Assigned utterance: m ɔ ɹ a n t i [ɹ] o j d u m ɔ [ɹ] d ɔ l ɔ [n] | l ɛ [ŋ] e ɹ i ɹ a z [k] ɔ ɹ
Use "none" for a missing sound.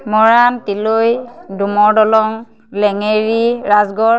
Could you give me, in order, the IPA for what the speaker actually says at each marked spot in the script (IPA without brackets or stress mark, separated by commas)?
l, ɹ, ŋ, ŋ, ɡ